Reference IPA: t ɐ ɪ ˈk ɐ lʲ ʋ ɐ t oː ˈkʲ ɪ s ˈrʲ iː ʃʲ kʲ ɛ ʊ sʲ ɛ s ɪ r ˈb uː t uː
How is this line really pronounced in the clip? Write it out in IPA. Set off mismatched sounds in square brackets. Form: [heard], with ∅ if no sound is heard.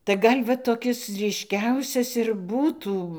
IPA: t ɐ ɪ [ˈɡ] ɐ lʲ ʋ ɐ t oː ˈkʲ ɪ s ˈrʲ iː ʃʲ kʲ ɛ ʊ sʲ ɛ s ɪ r ˈb uː t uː

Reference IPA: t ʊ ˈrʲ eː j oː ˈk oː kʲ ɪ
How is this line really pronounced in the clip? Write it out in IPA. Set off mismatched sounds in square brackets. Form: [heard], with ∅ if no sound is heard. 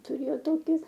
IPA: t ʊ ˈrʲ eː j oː [ˈt] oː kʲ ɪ

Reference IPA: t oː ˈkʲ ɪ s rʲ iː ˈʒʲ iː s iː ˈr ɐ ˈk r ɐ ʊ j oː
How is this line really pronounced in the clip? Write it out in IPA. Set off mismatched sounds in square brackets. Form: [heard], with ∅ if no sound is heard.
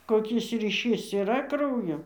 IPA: [k] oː ˈkʲ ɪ s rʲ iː [ˈʃʲ] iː s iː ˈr ɐ ˈk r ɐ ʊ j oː

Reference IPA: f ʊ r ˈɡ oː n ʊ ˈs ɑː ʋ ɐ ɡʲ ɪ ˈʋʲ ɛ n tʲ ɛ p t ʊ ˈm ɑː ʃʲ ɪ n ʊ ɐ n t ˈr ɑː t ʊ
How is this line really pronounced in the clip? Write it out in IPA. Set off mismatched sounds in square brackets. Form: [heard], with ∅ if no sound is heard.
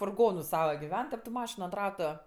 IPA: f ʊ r ˈɡ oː n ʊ ˈs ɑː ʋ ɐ ɡʲ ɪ ˈʋʲ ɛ n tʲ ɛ p t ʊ ˈm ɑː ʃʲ ɪ n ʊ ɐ n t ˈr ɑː t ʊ

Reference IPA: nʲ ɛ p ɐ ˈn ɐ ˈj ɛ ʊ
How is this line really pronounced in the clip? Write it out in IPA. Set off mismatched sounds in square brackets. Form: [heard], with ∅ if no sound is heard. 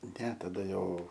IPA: nʲ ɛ [t] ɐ [ˈd] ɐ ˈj ɛ ʊ

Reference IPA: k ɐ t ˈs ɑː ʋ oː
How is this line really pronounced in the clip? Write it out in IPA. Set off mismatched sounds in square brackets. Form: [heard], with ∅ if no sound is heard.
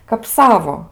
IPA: k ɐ [p] ˈs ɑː ʋ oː

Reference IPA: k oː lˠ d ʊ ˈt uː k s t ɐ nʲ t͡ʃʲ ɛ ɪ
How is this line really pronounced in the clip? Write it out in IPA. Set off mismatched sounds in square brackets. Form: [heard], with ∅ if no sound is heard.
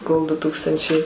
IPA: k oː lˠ d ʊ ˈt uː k s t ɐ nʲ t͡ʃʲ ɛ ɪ

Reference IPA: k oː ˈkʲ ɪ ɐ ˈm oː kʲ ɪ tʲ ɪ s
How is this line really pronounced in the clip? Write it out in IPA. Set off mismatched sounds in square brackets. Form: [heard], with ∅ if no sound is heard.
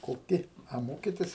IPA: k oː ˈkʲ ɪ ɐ ˈm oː kʲ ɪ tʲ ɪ s

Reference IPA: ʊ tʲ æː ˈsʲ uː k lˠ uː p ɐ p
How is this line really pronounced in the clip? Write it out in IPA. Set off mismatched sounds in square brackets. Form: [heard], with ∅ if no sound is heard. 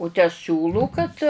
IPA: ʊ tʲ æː ˈsʲ uː [∅] lˠ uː [k] ɐ [t]

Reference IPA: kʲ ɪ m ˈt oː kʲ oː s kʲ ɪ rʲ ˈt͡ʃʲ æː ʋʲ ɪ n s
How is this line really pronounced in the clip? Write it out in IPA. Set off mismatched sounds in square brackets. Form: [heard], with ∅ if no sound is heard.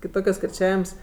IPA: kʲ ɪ [∅] ˈt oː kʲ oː s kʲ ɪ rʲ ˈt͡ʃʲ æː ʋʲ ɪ [m] s

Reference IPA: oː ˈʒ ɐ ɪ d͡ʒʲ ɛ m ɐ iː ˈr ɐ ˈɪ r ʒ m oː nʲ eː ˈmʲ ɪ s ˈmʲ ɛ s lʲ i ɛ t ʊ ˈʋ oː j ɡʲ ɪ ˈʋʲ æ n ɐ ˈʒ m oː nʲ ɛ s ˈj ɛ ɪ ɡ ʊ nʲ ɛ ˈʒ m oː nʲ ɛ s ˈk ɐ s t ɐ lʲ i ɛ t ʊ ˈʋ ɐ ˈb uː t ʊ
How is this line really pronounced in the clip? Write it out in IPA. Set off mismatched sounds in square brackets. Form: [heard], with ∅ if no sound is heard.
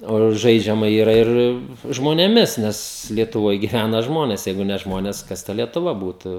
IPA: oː ˈʒ ɐ ɪ d͡ʒʲ ɛ m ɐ iː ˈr ɐ ˈɪ r ʒ m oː nʲ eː ˈmʲ ɪ s [ˈnʲ] ɛ s lʲ i ɛ t ʊ ˈʋ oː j ɡʲ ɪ ˈʋʲ æ n ɐ ˈʒ m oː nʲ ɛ s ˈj ɛ ɪ ɡ ʊ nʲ ɛ ˈʒ m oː nʲ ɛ s ˈk ɐ s t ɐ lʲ i ɛ t ʊ ˈʋ ɐ ˈb uː t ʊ

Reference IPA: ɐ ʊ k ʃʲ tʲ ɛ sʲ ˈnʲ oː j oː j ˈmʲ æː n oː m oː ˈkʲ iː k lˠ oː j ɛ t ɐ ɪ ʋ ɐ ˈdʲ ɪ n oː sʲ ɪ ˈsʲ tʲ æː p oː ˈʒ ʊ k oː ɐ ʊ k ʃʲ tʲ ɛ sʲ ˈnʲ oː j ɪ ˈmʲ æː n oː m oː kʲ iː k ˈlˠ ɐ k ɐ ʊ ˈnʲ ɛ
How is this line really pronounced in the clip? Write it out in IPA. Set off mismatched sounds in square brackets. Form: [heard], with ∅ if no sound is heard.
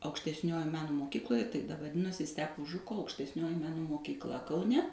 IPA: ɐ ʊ k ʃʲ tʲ ɛ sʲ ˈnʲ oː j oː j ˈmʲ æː n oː m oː ˈkʲ iː k lˠ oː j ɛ t ɐ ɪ ʋ ɐ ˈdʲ ɪ n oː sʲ ɪ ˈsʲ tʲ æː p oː ˈʒ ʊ k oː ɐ ʊ k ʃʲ tʲ ɛ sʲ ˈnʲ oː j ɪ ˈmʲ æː n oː m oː kʲ iː k ˈlˠ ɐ k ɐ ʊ ˈnʲ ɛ

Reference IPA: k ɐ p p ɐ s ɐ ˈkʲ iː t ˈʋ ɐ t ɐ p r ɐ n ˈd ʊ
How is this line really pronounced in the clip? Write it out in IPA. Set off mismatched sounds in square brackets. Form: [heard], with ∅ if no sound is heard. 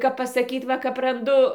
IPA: k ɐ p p ɐ s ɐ ˈkʲ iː t ˈʋ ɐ [k] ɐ p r ɐ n ˈd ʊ

